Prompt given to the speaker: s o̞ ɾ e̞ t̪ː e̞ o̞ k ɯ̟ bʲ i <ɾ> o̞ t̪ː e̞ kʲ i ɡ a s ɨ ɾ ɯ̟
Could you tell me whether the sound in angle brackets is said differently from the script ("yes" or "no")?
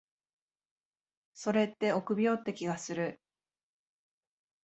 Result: yes